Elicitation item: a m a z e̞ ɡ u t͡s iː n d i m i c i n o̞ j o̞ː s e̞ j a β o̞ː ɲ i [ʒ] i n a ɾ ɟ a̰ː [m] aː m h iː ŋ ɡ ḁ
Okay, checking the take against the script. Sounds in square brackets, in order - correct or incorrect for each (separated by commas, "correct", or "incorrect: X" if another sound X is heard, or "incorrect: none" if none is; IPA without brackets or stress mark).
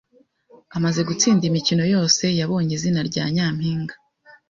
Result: incorrect: z, incorrect: ɲ